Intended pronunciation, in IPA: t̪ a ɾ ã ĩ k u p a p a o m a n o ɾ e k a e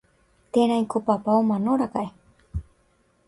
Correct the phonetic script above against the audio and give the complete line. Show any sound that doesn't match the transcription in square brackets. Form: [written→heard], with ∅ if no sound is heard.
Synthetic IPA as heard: t̪ [a→e] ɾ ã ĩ k [u→o] p a p a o m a n o ɾ [e→a] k a e